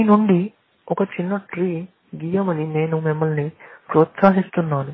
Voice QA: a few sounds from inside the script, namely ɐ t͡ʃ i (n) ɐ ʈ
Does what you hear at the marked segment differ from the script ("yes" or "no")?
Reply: yes